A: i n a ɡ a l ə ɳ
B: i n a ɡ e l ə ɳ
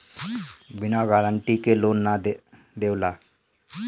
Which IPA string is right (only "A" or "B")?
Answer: A